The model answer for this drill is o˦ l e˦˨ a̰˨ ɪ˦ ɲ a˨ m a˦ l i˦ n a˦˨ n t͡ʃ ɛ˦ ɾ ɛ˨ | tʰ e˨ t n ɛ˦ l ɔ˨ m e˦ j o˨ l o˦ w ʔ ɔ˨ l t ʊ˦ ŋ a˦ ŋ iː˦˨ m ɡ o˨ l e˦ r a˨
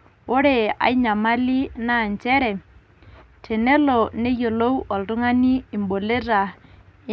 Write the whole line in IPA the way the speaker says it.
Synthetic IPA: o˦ ɾ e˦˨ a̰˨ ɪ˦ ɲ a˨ m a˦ l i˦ n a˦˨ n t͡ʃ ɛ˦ ɾ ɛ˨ | tʰ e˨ n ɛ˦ l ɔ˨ n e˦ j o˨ l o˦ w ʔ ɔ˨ l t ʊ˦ ŋ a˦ n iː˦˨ m b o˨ l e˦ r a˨